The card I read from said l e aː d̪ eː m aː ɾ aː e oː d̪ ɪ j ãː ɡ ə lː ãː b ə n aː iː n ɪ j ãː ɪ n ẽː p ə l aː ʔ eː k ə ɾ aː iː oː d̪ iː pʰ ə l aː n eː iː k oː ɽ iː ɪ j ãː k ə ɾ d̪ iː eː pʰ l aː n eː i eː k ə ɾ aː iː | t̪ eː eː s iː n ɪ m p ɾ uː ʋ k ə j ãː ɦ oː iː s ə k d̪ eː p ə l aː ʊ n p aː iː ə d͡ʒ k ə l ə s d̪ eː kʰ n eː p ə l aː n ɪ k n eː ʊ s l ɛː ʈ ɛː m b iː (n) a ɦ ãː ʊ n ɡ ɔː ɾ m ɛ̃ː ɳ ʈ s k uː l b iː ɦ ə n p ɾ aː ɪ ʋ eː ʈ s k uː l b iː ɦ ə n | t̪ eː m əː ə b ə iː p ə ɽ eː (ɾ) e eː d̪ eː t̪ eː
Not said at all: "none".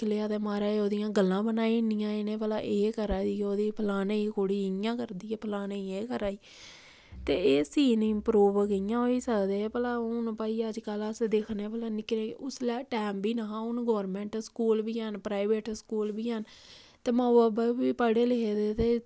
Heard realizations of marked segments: n, l

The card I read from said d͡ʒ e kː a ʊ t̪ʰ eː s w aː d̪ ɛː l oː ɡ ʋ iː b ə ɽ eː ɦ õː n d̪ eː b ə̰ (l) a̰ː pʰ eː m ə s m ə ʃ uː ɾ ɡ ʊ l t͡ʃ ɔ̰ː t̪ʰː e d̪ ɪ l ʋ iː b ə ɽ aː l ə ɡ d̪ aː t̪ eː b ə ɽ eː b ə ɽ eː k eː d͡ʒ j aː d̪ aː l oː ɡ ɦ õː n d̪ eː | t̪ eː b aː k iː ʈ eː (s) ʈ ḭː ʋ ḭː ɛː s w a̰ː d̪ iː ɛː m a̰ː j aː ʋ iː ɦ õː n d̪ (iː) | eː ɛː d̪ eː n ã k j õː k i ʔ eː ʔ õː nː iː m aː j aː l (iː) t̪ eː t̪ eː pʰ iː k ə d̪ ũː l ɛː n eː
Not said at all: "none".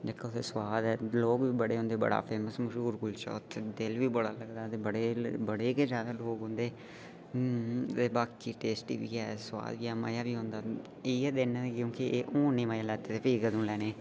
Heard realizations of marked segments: ɽ, s, aː, ɛː

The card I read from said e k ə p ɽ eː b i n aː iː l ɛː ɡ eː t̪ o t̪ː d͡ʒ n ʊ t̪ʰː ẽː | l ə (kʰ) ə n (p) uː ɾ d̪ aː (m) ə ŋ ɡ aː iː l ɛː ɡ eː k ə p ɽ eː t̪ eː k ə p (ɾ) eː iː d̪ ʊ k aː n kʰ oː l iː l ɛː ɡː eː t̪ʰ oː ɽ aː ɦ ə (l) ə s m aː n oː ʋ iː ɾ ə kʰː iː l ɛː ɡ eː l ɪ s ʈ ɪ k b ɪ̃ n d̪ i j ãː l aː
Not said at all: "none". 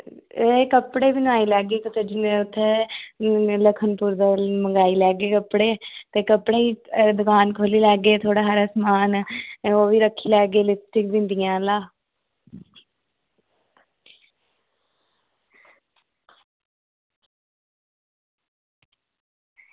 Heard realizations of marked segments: kʰ, p, m, ɽ, ɾ

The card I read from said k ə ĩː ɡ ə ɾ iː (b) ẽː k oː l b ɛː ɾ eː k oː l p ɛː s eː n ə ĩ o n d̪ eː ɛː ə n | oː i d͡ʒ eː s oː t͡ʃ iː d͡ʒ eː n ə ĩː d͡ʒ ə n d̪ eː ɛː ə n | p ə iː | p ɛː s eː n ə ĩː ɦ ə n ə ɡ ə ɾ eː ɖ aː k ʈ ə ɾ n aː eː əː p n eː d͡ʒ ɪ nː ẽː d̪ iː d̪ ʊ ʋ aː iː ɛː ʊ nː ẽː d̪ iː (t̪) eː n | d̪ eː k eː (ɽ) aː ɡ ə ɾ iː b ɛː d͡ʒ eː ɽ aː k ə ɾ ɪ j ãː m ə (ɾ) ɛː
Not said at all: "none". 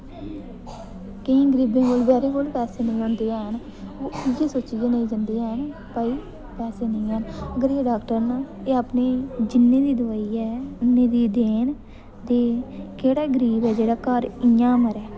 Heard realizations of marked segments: b, d̪, ɽ, ɾ

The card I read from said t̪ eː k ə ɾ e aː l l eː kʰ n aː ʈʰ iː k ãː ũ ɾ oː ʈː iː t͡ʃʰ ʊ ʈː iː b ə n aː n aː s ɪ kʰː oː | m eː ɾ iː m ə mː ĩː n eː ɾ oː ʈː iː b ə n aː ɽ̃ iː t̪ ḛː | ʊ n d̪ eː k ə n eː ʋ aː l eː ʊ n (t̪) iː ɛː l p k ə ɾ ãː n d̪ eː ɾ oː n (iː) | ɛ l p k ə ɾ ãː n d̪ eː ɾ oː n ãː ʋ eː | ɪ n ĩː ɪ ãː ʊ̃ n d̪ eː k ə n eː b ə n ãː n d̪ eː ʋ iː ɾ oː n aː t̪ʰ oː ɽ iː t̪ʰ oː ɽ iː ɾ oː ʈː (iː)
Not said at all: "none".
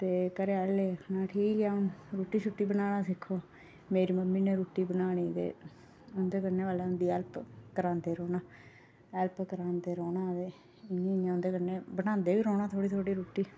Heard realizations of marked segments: d̪, aː, iː

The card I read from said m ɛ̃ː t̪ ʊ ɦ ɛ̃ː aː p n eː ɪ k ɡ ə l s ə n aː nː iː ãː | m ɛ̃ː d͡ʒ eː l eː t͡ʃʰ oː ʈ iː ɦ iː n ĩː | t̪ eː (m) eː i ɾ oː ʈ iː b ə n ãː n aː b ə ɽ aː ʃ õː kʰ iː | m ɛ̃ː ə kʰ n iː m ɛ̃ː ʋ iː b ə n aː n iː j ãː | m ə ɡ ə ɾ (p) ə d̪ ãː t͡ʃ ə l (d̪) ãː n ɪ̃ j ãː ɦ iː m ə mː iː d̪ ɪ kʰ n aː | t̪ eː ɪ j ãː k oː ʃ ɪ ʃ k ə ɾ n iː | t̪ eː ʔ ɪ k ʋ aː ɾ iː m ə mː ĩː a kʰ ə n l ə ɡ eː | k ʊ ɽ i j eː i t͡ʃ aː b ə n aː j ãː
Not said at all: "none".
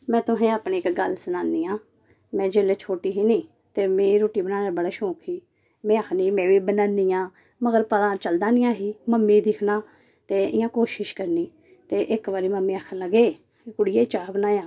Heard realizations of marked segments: m, p, d̪

